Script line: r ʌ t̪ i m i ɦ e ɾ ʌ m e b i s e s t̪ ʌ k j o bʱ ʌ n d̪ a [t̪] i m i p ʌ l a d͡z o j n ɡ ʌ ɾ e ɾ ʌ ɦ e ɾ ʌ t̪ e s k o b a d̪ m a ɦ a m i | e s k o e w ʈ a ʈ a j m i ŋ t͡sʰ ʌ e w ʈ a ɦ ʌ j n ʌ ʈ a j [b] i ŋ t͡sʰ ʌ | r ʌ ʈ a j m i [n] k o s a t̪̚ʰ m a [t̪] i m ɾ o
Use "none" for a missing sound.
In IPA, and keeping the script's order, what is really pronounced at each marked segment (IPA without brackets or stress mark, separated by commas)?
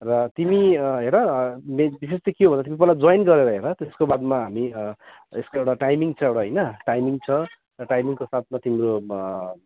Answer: t̪, m, ŋ, t̪